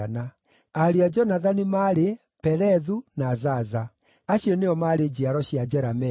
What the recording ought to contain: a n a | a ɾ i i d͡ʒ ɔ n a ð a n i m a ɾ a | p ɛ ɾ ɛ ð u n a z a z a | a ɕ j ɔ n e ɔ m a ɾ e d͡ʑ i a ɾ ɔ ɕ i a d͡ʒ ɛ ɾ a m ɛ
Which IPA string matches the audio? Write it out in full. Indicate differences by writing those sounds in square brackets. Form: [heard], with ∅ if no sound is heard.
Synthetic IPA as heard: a n a | a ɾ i [a] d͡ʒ ɔ n a ð a n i m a ɾ [e] | p ɛ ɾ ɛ ð u n a z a z a | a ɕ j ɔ n e ɔ m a ɾ e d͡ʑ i a ɾ ɔ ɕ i a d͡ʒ ɛ ɾ a m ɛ